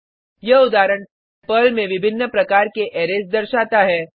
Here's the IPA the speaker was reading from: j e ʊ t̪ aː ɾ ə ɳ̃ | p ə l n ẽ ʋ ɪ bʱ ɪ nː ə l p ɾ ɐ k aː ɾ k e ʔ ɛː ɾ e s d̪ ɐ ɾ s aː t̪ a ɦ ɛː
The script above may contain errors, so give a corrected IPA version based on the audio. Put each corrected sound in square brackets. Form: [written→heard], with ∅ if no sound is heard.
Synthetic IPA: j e ʊ [t̪→d̪] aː ɾ ə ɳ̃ | p ə l [n→m] ẽ ʋ ɪ bʱ ɪ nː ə [l→∅] p ɾ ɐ k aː ɾ k e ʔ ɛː ɾ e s d̪ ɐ ɾ [s→ʃ] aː t̪ a ɦ ɛː